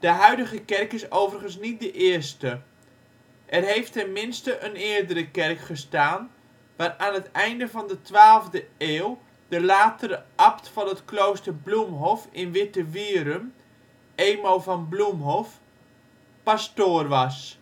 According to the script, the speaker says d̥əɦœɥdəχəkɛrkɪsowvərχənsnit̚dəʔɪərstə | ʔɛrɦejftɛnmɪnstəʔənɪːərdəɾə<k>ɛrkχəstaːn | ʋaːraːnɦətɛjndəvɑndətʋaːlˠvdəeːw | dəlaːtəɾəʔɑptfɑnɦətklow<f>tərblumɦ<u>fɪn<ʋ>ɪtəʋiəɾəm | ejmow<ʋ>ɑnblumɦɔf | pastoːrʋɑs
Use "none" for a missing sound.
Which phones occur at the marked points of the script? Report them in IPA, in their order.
k, s, ɔ, ʋ, v

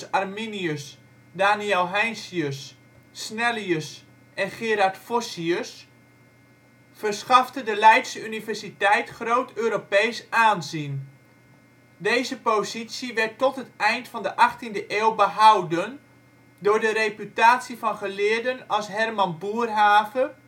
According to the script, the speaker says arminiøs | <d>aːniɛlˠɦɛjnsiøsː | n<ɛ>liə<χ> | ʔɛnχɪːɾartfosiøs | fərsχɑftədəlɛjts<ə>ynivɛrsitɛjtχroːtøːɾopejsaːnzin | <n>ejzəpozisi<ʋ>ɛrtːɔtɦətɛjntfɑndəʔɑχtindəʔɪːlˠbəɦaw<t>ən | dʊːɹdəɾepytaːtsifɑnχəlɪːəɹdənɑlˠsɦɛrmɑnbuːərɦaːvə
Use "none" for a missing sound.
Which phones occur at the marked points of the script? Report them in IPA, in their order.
d, ɛ, s, ə, d, ʋ, d

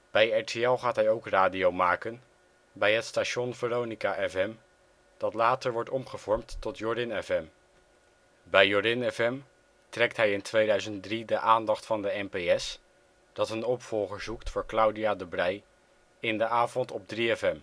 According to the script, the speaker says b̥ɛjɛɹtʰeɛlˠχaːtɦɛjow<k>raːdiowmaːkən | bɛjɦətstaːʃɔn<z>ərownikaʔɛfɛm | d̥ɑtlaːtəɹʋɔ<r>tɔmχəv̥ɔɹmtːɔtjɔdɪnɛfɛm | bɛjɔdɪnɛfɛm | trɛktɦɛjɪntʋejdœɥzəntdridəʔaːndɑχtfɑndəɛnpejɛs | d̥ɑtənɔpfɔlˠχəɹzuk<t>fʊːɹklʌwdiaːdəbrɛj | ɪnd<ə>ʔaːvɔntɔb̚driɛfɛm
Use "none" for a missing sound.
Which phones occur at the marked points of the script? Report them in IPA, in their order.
k, v, ɹ, t, ə

